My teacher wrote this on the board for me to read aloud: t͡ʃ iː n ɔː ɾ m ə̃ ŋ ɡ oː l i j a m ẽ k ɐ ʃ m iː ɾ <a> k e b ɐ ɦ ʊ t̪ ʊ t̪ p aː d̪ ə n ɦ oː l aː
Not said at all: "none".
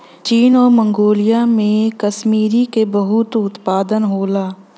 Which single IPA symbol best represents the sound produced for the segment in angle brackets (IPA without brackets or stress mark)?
i